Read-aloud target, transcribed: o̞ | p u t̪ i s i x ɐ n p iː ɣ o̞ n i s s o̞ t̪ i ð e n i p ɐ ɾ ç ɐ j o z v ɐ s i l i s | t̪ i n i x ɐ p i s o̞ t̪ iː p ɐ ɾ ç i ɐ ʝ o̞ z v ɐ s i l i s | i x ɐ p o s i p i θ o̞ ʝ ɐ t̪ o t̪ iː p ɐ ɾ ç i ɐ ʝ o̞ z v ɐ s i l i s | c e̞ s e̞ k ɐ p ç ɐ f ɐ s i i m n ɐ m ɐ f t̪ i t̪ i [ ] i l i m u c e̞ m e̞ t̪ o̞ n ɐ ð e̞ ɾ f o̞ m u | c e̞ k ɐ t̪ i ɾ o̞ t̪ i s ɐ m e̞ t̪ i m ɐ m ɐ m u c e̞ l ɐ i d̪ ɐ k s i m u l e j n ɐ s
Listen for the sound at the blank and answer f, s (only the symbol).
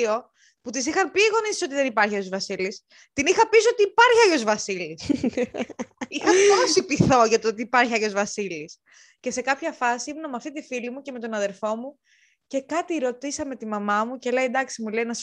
f